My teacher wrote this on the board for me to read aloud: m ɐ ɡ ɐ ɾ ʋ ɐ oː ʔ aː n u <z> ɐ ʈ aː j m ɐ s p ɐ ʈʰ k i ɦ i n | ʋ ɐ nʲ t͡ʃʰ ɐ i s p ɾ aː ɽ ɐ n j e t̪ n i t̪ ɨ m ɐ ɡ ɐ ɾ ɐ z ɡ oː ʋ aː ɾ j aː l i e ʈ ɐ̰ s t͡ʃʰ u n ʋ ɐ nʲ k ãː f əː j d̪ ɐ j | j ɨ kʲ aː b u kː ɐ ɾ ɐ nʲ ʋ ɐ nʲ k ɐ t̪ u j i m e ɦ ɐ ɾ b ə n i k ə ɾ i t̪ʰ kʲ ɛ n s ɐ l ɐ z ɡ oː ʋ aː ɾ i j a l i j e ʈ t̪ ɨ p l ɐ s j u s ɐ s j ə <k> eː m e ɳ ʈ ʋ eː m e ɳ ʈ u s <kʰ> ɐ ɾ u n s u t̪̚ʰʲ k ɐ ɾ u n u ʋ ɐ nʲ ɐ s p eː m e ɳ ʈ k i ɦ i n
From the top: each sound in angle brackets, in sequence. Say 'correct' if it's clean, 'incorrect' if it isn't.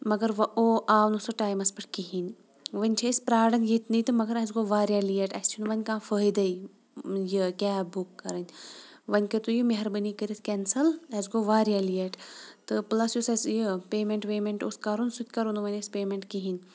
incorrect: s, incorrect: p, incorrect: k

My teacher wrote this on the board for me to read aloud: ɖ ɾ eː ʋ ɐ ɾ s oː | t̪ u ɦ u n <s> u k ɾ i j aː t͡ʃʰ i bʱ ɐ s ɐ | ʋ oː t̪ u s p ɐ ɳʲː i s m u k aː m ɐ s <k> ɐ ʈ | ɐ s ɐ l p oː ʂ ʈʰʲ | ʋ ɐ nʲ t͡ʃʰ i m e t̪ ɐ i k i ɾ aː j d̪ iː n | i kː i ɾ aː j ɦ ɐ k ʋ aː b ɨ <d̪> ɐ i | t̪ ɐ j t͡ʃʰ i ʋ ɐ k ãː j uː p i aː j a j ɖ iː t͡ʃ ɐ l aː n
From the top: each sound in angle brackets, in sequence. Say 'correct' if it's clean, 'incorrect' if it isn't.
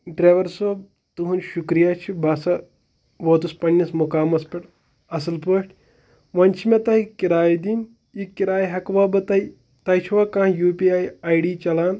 incorrect: ʃ, incorrect: p, incorrect: t̪

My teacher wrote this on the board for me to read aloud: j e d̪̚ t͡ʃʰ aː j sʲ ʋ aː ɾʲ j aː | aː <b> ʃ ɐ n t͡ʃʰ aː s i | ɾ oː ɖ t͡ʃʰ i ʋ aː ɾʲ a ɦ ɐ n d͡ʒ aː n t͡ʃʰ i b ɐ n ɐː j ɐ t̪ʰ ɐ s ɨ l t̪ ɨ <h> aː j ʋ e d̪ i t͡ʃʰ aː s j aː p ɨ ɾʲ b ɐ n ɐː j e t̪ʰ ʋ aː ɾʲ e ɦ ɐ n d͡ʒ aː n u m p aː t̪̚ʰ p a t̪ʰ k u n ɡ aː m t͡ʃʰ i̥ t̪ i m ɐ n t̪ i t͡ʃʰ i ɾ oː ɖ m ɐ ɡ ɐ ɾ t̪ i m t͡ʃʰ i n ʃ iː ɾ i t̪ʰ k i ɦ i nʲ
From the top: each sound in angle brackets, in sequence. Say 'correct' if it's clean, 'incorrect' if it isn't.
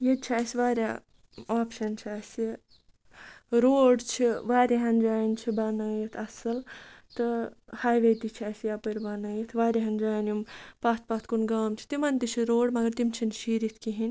incorrect: p, correct

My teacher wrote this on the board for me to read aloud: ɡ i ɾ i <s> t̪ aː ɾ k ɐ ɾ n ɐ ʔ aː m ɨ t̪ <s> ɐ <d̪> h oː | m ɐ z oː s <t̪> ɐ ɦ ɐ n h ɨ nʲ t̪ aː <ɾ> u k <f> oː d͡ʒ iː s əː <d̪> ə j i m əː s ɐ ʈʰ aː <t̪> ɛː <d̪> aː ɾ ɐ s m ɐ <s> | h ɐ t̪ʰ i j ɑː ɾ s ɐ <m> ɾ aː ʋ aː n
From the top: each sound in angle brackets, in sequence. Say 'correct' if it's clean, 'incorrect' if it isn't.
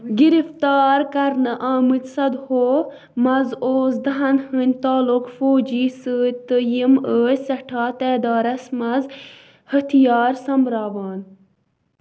incorrect: f, correct, correct, incorrect: d̪, incorrect: l, correct, incorrect: t̪, correct, correct, incorrect: z, correct

